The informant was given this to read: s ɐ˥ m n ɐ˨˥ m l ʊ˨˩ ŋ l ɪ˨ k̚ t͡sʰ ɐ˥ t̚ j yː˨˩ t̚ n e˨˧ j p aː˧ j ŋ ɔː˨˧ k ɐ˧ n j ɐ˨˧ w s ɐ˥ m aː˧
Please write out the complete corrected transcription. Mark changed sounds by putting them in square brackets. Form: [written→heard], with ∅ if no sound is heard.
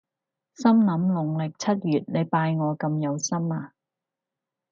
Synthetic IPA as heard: s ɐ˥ m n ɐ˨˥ m l ʊ˨˩ ŋ l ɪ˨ k̚ t͡sʰ ɐ˥ t̚ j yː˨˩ t̚ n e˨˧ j p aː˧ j ŋ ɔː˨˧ k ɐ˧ [n→m] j ɐ˨˧ w s ɐ˥ m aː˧